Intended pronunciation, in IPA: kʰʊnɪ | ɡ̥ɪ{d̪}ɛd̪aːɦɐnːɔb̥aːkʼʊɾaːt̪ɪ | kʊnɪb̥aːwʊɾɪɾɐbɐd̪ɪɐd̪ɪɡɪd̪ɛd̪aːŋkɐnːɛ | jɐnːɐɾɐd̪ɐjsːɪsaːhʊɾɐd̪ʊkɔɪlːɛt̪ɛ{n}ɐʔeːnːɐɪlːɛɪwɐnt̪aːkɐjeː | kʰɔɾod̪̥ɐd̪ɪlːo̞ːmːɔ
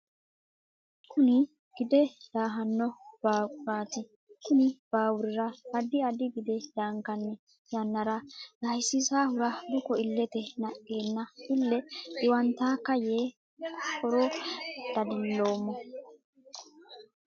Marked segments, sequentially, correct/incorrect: correct, correct

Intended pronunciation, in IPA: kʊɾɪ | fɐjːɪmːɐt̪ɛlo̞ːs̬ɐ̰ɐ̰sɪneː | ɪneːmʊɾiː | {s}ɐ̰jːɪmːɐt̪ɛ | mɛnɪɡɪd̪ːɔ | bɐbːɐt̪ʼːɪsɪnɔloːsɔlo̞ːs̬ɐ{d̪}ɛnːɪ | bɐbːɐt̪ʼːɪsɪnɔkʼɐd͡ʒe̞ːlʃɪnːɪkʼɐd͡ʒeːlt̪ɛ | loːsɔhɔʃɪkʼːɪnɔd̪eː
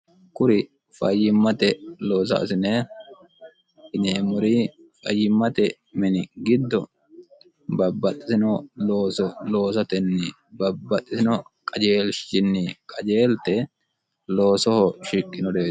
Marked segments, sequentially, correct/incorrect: incorrect: f, incorrect: t̪

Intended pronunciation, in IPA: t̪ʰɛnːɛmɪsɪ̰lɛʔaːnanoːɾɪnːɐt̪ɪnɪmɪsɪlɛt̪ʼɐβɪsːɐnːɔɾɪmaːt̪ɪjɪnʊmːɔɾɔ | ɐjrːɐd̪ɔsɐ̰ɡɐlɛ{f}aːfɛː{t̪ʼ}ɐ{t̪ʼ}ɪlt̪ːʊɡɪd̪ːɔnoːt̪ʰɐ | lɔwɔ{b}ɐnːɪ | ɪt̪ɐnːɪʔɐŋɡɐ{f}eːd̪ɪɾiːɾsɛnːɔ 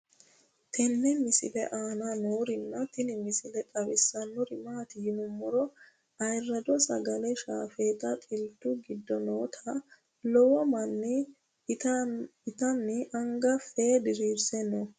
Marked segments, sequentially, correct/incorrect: incorrect: ʃ, incorrect: t̪, correct, incorrect: m, correct

